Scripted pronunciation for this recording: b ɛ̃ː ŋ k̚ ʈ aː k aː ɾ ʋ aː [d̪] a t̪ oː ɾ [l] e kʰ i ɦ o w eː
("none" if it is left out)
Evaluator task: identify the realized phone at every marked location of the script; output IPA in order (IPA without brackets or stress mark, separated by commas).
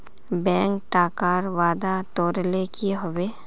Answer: d̪, l